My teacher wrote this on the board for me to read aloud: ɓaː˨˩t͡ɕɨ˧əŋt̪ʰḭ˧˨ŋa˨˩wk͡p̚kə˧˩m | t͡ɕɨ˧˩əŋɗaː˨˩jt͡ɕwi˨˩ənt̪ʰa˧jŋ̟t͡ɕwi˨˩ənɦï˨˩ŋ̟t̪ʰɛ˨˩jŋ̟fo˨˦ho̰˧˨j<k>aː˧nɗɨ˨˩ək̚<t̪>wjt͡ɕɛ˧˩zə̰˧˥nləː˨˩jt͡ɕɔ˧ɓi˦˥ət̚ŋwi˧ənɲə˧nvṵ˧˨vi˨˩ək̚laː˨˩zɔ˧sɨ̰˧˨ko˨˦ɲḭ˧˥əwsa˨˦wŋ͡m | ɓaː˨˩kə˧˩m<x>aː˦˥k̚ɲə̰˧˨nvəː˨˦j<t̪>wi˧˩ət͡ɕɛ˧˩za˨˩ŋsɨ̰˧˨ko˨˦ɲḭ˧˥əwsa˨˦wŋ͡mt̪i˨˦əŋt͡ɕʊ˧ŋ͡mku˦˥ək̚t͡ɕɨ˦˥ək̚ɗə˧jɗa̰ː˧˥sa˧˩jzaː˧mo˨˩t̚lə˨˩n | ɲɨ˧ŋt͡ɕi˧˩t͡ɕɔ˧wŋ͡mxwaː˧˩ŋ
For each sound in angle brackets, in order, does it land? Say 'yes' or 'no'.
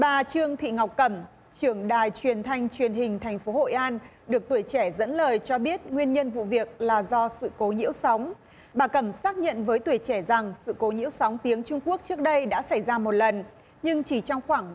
no, yes, no, yes

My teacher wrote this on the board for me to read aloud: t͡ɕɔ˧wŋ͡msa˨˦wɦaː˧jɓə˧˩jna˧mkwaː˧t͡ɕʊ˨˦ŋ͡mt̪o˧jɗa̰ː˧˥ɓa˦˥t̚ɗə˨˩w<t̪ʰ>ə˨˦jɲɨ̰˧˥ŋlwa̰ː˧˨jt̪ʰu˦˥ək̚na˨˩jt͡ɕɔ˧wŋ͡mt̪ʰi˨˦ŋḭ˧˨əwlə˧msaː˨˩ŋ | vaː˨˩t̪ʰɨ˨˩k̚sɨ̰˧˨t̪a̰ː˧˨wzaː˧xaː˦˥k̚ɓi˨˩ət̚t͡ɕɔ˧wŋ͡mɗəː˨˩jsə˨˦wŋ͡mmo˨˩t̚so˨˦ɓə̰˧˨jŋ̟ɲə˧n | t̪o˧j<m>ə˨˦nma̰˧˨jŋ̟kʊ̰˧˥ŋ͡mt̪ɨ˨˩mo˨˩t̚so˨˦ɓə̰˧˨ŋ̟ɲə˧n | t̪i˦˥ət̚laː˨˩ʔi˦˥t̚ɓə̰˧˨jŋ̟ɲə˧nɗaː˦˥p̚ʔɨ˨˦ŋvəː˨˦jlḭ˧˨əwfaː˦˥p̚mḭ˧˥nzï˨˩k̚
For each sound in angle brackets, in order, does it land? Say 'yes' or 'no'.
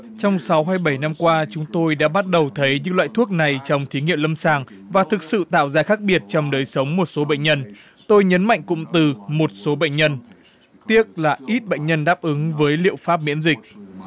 yes, no

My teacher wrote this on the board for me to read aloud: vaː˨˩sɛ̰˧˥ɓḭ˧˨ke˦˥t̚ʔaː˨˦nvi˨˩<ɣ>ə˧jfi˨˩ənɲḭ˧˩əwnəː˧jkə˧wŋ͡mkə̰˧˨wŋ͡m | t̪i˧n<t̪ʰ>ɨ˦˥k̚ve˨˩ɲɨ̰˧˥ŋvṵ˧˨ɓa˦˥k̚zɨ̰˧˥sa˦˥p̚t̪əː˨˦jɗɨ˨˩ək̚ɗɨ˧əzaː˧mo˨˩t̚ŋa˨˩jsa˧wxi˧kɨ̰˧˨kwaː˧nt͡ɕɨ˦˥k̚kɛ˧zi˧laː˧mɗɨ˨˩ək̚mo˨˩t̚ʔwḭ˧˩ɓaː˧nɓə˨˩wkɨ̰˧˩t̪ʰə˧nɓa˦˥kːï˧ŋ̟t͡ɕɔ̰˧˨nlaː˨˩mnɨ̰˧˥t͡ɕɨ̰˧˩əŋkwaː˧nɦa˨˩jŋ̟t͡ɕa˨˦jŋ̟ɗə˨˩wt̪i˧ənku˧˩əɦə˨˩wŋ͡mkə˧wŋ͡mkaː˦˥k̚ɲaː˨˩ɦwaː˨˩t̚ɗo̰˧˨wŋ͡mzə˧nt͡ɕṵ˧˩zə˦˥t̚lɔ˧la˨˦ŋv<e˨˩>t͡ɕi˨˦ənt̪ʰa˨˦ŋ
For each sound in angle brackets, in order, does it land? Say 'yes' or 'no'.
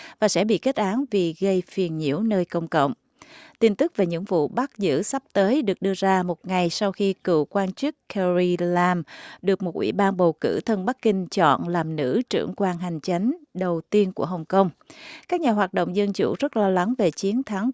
yes, no, yes

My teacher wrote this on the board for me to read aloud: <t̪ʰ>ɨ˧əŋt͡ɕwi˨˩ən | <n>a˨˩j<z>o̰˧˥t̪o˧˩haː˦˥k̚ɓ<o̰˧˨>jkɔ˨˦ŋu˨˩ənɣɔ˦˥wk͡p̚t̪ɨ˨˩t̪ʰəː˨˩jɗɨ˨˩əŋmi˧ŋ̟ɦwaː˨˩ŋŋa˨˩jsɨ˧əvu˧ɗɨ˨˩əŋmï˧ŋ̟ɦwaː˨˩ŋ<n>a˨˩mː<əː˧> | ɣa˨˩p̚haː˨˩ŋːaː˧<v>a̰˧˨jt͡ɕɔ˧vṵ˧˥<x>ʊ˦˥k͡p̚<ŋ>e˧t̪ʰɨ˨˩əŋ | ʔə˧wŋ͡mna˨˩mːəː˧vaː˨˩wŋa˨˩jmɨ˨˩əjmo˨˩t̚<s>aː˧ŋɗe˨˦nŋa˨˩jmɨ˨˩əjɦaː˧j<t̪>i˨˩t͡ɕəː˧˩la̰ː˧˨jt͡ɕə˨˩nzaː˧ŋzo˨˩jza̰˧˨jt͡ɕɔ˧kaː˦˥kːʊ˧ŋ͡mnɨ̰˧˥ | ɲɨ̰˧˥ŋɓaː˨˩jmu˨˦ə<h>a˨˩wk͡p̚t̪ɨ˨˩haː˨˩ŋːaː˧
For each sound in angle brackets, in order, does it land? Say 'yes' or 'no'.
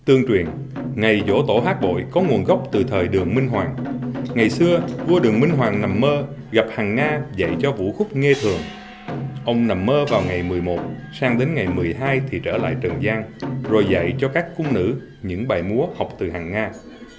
no, no, yes, yes, yes, yes, no, yes, yes, yes, no, yes

